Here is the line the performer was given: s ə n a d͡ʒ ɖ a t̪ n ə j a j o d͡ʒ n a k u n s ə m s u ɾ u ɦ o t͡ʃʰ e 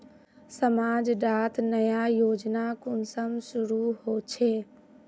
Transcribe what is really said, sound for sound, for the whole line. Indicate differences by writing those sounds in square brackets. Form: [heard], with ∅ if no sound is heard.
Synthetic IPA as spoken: s ə [m] a d͡ʒ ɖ a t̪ n ə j a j o d͡ʒ n a k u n s ə m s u ɾ u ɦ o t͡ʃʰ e